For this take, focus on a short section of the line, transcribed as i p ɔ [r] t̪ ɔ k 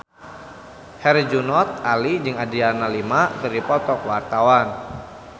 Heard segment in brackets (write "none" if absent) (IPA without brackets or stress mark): none